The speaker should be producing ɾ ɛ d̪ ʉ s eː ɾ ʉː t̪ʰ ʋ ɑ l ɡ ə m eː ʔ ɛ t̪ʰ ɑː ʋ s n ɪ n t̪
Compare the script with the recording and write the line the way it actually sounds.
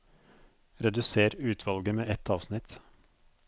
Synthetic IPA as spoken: ɾ ɛ d̪ ʉ s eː ɾ ʉː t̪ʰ ʋ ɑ l ɡ ə m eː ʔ ɛ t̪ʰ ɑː ʋ s n ɪ t̪